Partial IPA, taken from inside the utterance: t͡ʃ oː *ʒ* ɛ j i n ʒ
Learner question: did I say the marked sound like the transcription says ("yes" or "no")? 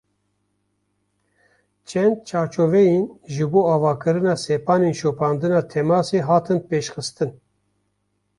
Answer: no